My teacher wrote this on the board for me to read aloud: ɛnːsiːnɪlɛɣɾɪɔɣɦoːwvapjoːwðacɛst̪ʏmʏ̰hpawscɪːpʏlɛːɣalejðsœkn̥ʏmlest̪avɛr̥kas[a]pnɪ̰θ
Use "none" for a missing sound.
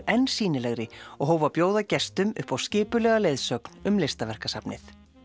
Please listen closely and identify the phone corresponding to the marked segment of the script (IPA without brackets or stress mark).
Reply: a